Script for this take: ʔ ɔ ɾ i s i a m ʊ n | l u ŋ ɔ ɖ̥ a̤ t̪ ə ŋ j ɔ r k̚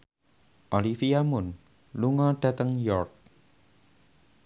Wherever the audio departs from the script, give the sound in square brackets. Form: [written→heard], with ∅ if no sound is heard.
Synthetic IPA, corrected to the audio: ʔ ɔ [ɾ→l] i [s→f] i a m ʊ n | l u ŋ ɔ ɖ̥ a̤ t̪ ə ŋ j ɔ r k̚